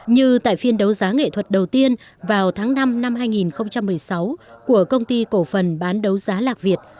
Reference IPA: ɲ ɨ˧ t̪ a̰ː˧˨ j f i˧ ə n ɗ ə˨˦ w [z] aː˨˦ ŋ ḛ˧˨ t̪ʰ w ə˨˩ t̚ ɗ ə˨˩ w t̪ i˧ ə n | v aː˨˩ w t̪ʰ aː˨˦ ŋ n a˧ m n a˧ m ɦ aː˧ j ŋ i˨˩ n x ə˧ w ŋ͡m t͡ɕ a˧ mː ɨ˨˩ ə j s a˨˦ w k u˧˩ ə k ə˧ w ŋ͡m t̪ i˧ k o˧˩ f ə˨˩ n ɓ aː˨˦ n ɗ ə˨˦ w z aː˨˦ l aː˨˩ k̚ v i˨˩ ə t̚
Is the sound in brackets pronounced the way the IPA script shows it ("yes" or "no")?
yes